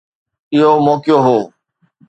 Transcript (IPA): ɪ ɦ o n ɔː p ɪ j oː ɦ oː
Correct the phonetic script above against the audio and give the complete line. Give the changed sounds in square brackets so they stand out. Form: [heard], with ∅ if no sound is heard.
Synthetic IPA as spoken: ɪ ɦ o [m] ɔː [k] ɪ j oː ɦ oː